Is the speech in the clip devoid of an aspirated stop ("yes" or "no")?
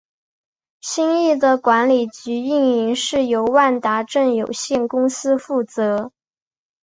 yes